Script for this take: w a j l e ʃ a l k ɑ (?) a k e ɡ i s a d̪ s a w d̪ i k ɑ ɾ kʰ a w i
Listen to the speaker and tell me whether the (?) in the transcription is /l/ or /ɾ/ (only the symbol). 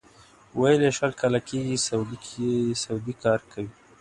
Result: l